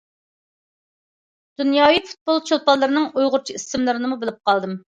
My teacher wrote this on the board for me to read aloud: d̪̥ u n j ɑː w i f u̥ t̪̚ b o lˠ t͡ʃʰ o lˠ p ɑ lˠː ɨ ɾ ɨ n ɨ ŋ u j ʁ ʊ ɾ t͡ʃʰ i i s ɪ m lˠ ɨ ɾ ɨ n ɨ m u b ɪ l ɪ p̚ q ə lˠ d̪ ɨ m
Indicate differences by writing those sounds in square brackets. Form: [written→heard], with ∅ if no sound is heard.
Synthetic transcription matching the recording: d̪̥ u n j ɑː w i f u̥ t̪̚ b o lˠ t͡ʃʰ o lˠ p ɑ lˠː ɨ ɾ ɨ n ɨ ŋ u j ʁ ʊ ɾ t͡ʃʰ i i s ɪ m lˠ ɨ ɾ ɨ n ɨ m u b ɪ l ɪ p̚ q [ə→ɑ] lˠ d̪ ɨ m